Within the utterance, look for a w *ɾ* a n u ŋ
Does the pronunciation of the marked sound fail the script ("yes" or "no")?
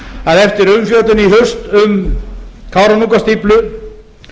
no